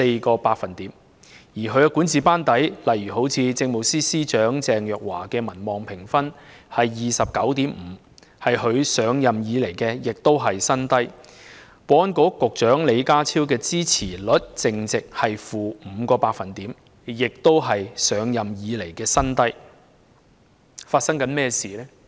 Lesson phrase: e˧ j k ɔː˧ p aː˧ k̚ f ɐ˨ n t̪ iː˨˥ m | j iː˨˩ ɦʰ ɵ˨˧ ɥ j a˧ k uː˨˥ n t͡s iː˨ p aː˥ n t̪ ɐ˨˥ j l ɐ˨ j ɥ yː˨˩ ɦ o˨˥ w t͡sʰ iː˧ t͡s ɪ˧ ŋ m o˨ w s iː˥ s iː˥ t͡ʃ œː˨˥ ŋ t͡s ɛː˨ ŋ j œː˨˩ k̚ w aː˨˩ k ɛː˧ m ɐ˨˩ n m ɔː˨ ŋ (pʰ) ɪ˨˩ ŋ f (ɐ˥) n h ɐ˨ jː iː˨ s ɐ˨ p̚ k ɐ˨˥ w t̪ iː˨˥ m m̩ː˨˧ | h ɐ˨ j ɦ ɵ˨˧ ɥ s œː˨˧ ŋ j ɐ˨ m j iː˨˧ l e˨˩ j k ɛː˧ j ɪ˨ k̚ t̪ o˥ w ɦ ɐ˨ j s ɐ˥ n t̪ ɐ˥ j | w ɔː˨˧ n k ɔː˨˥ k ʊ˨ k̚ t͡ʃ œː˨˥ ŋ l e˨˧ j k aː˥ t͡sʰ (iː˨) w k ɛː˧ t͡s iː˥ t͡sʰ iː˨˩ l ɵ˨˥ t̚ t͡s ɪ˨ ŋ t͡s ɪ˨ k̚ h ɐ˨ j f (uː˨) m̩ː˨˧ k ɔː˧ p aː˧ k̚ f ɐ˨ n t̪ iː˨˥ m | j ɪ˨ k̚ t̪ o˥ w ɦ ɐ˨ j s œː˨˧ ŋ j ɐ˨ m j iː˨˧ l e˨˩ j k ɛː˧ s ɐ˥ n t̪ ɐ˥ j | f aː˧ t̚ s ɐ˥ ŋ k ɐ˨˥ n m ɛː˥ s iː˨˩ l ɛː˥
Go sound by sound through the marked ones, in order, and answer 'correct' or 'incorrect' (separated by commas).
correct, correct, incorrect, correct